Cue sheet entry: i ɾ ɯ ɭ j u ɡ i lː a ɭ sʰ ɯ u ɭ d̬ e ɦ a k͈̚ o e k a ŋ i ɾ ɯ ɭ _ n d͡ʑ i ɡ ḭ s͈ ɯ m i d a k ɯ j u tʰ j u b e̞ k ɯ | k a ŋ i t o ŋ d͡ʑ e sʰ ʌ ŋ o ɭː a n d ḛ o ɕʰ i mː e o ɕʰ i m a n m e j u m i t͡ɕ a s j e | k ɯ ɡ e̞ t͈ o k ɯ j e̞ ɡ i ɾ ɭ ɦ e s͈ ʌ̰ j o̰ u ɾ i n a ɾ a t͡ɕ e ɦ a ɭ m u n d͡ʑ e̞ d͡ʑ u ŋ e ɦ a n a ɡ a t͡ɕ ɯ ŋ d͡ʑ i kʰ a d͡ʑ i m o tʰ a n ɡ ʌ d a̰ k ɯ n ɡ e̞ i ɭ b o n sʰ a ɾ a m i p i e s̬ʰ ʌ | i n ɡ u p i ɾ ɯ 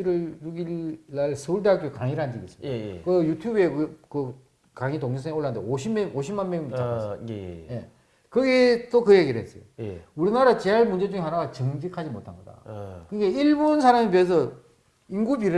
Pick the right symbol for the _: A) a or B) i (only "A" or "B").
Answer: A